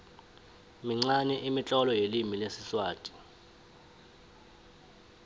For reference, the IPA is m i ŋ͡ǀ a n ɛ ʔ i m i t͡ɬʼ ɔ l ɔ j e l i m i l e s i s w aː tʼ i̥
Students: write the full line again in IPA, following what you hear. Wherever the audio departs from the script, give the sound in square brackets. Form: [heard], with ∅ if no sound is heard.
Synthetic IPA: m i ŋ͡ǀ a n ɛ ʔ i m i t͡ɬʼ ɔ l ɔ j e l i m i l e s i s w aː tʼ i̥

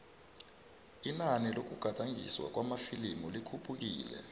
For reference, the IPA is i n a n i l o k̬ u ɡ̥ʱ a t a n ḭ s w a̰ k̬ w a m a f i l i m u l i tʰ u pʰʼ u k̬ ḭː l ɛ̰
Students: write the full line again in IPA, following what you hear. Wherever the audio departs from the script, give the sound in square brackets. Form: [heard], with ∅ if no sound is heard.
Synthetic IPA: i n a n i l o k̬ u ɡ̥ʱ a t a [ŋ] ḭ s w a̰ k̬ w a m a f i l i m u l i [kʰ] u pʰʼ u k̬ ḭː l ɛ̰

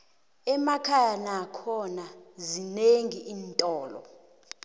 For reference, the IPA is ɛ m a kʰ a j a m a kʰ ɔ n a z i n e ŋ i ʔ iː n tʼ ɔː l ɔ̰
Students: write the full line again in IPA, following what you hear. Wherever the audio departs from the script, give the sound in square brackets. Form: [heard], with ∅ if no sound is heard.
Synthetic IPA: ɛ m a kʰ a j a [n] a kʰ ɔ n a z i n e ŋ i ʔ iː n tʼ ɔː l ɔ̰

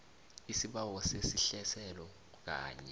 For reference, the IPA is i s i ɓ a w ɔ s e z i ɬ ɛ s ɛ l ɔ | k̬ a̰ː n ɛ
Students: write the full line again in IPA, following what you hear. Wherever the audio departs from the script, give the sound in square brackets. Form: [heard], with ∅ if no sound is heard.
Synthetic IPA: i s i ɓ a w ɔ s e [s] i ɬ ɛ s ɛ l ɔ | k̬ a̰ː [ɲ] ɛ

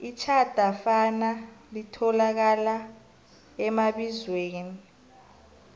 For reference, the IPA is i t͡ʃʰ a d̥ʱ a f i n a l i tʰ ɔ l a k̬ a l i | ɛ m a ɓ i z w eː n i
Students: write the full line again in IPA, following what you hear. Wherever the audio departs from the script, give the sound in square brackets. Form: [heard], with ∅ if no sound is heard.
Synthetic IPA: i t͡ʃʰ a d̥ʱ a f [a] n a l i tʰ ɔ l a k̬ a l [a] | ɛ m a ɓ i z w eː n i

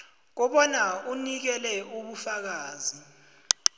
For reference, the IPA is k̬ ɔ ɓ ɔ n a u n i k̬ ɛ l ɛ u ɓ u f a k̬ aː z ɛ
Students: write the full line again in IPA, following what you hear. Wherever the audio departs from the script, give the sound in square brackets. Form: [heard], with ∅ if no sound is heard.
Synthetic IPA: k̬ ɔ ɓ ɔ n a u n i k̬ ɛ l ɛ u ɓ u f a k̬ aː z [i]

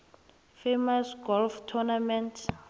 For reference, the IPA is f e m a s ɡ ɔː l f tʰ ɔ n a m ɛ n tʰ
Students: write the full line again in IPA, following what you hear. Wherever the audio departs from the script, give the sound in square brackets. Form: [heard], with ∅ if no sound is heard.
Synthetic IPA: f e m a s ɡ [ɔ] l f tʰ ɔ n a m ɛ n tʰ

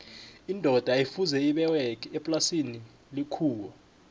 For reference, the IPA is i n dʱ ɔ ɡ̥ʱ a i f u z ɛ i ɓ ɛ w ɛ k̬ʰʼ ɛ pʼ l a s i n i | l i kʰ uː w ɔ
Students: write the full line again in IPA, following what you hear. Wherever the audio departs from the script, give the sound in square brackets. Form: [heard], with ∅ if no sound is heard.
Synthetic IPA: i n dʱ ɔ [d̥ʱ] a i f u z ɛ i ɓ ɛ w ɛ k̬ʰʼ ɛ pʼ l a s i n i | l i kʰ uː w ɔ

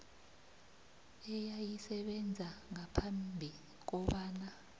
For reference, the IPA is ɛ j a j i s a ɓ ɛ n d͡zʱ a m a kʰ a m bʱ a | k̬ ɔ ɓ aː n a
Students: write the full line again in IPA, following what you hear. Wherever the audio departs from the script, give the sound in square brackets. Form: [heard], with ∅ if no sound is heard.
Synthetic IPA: ɛ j a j i s [ɛ] ɓ ɛ n d͡zʱ a [ŋ] a [pʰ] a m bʱ [i] | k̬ ɔ ɓ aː n a

